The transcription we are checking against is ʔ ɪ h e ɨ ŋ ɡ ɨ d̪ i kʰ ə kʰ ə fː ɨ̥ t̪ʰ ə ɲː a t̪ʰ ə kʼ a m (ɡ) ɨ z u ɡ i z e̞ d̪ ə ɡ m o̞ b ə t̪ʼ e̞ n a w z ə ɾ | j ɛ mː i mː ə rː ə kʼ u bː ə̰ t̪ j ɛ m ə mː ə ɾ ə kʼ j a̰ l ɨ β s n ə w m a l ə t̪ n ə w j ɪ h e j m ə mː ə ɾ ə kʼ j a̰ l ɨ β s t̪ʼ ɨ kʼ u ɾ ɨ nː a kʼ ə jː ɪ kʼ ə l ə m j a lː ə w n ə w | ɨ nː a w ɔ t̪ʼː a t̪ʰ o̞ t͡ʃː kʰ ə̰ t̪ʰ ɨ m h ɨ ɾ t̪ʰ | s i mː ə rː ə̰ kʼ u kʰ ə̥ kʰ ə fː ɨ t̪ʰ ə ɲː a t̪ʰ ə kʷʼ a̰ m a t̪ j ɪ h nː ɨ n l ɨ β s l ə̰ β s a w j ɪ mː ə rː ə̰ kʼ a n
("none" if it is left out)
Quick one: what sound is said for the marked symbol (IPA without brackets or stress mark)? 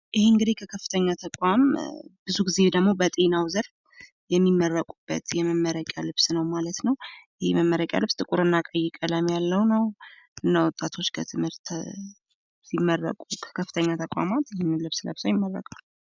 b